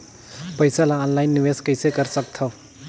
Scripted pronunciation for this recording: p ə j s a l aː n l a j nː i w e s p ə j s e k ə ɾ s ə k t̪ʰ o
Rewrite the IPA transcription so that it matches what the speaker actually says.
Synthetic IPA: p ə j s a l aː n l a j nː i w e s k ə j s e k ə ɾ s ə k t̪ʰ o